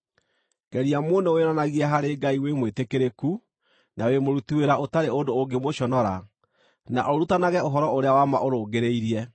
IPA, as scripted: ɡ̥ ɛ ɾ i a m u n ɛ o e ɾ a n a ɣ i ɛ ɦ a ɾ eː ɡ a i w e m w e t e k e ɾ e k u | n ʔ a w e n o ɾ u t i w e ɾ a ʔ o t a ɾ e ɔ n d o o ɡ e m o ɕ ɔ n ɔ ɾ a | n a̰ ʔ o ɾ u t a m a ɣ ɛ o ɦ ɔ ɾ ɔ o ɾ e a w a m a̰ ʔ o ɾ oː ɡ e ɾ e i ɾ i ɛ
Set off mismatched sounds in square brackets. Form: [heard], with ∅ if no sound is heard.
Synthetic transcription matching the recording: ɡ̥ ɛ ɾ i a m [o] n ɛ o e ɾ a n a ɣ i ɛ ɦ a ɾ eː ɡ a i w e m w e t e k e ɾ e k u | n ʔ a w e [m] o ɾ u t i w e ɾ a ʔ o t a ɾ e [o] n d o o ɡ e m o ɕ ɔ n ɔ ɾ a | n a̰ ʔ o ɾ u t a [n] a ɣ ɛ o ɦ ɔ ɾ ɔ o ɾ e a w a m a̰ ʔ o ɾ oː ɡ e ɾ e i ɾ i ɛ